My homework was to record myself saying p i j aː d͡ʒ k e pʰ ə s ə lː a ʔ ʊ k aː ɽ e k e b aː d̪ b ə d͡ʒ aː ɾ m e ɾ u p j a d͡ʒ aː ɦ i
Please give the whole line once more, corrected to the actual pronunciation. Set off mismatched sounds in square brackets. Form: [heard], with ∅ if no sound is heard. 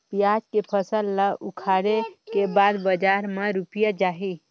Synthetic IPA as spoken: p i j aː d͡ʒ k e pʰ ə s ə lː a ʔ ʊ [kʰ] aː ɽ e k e b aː d̪ b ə d͡ʒ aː ɾ m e ɾ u p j a d͡ʒ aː ɦ i